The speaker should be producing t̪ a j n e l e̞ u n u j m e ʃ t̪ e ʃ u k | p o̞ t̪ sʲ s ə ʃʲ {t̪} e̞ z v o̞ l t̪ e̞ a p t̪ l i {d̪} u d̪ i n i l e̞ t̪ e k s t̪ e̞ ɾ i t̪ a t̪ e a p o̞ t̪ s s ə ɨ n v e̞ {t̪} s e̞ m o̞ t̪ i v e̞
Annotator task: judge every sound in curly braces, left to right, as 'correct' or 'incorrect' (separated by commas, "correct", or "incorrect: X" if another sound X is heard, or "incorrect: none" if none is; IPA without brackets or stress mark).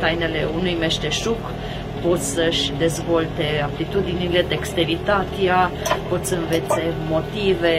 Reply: incorrect: d̪, incorrect: t̪, correct